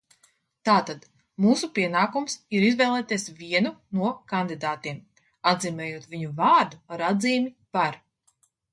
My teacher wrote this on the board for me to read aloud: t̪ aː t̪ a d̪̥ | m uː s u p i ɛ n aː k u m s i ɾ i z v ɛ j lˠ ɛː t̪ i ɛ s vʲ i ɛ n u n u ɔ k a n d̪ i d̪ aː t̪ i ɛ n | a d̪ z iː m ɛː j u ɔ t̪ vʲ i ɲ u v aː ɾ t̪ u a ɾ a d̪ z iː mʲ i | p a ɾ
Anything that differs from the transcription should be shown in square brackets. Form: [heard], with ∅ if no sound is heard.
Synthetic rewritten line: t̪ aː t̪ a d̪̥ | m uː s u p i ɛ n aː k u m s i ɾ i z v ɛ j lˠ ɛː t̪ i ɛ s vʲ i ɛ n u n u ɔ k a n d̪ i d̪ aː t̪ i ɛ [m] | a d̪ z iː m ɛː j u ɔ t̪ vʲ i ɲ u v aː ɾ [d̪] u a ɾ a d̪ z iː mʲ i | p a ɾ